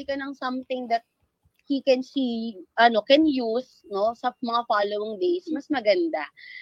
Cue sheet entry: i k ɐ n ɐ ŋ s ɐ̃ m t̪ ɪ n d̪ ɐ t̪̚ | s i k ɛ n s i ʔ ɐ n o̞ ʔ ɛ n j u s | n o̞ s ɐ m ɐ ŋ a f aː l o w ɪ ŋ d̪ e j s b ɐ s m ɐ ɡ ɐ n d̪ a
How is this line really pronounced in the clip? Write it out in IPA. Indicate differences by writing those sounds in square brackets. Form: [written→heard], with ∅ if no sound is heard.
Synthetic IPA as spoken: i k ɐ n ɐ ŋ s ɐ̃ m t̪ ɪ [n→ŋ] d̪ ɐ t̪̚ | [s→h] i k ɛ n s i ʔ ɐ n o̞ [ʔ→k] ɛ n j u s | n o̞ s ɐ m ɐ ŋ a f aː l o w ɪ ŋ d̪ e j s [b→m] ɐ s m ɐ ɡ ɐ n d̪ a